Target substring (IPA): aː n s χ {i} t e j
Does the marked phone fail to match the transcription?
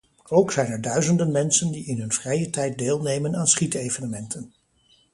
no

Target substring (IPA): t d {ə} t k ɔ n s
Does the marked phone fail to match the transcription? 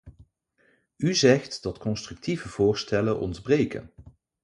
yes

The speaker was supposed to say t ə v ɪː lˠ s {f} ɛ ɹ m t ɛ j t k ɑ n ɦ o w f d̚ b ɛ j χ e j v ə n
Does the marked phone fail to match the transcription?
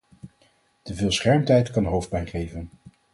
yes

